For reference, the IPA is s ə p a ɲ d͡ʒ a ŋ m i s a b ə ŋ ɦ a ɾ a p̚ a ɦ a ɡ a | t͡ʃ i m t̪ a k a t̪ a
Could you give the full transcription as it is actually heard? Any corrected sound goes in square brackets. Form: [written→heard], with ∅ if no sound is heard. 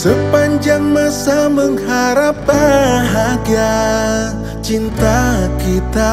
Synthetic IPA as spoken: s ə p a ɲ d͡ʒ a ŋ m [i→a] s a [b→m] ə ŋ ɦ a ɾ a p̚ a ɦ a ɡ a | t͡ʃ i [m→n] t̪ a k [a→i] t̪ a

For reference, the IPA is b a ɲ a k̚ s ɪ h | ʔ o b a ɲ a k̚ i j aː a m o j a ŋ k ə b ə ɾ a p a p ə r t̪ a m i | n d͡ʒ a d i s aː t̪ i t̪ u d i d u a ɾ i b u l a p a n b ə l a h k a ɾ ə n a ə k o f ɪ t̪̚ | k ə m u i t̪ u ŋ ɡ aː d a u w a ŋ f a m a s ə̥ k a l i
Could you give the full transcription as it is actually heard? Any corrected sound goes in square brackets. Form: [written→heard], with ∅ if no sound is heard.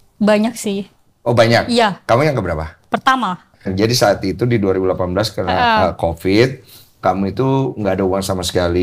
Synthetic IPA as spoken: b a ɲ a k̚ s ɪ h | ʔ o b a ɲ a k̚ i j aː a m [o→u] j a ŋ k ə b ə ɾ a p a p ə r t̪ a m [i→a] | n d͡ʒ a d i s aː t̪ i t̪ u d i d u a ɾ i b u l a p a n b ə l a [h→s] k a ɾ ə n a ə k o f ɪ t̪̚ | k [ə→a] m u i t̪ u ŋ ɡ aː d a u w a ŋ [f→s] a m a s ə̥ k a l i

